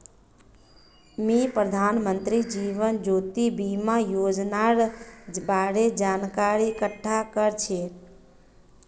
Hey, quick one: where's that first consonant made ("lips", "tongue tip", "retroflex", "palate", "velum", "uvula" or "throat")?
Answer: lips